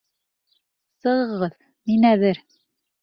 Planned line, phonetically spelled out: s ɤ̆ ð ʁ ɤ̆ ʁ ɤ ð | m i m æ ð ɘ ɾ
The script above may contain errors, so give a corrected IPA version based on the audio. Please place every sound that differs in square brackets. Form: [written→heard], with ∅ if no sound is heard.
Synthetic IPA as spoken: s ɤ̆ [ð→∅] ʁ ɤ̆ ʁ ɤ ð | m i [m→n] æ ð ɘ ɾ